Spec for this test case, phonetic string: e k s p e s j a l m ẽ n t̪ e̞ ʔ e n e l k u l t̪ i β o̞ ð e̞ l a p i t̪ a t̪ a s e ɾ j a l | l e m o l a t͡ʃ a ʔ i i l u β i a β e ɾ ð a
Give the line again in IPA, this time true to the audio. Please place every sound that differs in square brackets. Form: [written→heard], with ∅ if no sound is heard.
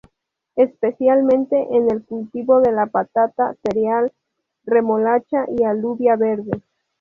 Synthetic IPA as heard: e [k→∅] s p e s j a l m ẽ n t̪ e̞ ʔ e n e l k u l t̪ i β o̞ ð e̞ l a p [i→a] t̪ a t̪ a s e ɾ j a l | [l→r] e m o l a t͡ʃ a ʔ i [i→a] l u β [i→j] a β e ɾ ð [a→e]